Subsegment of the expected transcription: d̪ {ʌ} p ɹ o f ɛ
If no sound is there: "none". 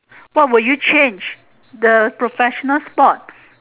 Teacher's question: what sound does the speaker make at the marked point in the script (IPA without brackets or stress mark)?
ə